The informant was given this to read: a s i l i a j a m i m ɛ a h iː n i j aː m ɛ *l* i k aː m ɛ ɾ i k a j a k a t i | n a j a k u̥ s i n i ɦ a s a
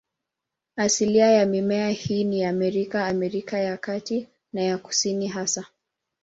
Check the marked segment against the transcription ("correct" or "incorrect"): incorrect